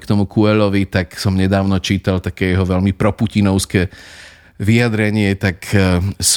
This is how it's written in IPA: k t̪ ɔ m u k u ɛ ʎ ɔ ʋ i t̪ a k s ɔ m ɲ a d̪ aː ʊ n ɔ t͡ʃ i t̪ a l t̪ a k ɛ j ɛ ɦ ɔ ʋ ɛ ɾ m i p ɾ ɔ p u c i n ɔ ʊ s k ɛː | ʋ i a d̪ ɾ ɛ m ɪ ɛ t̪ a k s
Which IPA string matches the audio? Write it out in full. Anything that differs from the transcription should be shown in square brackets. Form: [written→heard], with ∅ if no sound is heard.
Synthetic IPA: k t̪ ɔ m u k u ɛ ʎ ɔ ʋ i t̪ a k s ɔ m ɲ [a→ɛ] d̪ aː ʊ n ɔ t͡ʃ [i→iː] t̪ a l t̪ a k ɛ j ɛ ɦ ɔ ʋ ɛ [ɾ→ʎ] m i p ɾ ɔ p u c i n ɔ ʊ s k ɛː | ʋ i a d̪ ɾ ɛ [m→ɲ] ɪ ɛ t̪ a k s